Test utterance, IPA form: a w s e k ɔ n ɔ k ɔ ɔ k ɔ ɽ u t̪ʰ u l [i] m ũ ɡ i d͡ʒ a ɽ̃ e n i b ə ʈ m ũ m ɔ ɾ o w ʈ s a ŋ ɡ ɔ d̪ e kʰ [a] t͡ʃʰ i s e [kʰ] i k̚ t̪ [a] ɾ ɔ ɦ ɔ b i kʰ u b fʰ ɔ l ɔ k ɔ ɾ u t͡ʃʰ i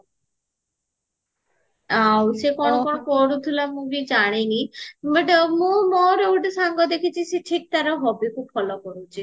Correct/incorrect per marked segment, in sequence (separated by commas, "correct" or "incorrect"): incorrect, incorrect, incorrect, correct